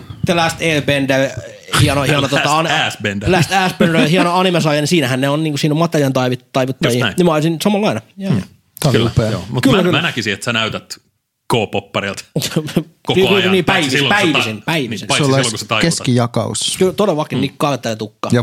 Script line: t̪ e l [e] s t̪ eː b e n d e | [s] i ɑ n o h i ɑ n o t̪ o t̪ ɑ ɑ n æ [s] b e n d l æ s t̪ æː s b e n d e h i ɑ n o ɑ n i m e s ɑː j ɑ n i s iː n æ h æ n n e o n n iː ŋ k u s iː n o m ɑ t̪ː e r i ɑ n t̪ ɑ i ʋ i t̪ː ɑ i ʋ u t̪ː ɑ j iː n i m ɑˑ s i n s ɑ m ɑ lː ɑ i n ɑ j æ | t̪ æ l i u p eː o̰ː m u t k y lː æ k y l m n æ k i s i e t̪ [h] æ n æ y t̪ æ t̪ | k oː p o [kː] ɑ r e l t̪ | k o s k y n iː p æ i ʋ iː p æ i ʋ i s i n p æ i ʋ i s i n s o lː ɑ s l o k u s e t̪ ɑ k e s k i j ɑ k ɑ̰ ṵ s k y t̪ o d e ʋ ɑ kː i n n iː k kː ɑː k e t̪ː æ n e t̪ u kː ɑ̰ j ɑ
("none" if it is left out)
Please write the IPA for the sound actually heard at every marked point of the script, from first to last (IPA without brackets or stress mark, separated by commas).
æ, h, s, s, pː